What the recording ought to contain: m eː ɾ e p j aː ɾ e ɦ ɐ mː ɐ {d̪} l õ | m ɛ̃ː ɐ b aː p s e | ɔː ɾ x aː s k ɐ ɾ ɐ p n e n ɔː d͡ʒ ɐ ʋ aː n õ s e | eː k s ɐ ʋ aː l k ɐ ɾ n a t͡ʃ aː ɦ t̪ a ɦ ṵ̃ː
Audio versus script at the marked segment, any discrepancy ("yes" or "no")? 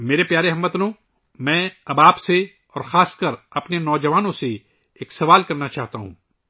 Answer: yes